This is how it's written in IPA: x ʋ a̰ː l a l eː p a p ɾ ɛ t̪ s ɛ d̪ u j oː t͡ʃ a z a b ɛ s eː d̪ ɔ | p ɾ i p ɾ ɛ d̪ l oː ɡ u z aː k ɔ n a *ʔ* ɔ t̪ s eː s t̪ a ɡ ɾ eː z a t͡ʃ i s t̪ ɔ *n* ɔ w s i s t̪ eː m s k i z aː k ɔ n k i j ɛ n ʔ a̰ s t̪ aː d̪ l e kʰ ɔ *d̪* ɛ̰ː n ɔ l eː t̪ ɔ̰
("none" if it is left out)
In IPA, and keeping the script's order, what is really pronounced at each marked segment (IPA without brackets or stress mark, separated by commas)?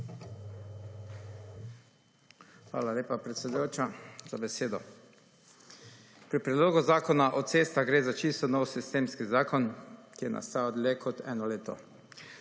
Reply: ʔ, n, t̪